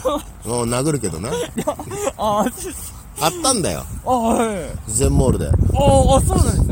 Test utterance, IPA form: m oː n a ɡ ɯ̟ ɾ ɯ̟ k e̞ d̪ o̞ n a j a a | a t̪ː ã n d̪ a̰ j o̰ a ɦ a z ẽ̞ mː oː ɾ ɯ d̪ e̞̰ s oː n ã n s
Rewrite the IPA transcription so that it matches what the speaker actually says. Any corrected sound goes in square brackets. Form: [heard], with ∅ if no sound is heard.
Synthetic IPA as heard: m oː n a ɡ ɯ̟ ɾ ɯ̟ k e̞ d̪ o̞ n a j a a | a t̪ː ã n d̪ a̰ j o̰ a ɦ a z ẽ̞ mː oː ɾ ɯ d̪ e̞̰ s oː n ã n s